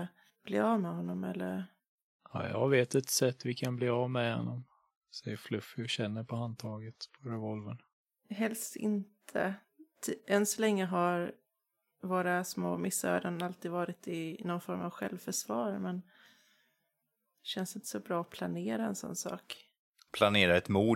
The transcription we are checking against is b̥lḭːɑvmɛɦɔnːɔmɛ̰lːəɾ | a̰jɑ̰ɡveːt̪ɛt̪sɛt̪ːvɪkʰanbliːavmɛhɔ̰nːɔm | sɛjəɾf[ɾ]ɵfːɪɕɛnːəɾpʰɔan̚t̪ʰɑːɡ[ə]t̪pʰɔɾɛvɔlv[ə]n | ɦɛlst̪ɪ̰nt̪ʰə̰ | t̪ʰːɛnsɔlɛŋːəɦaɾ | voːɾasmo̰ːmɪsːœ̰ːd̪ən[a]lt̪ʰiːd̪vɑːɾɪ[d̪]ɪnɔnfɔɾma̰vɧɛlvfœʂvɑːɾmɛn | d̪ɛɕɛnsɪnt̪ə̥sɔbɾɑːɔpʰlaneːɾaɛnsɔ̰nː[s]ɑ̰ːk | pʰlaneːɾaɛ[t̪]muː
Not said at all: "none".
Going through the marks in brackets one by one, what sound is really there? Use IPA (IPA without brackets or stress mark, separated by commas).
l, ə, ə, a, t̪, s, t̪